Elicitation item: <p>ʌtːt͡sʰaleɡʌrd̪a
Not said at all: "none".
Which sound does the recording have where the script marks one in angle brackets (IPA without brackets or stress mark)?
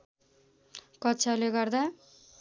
k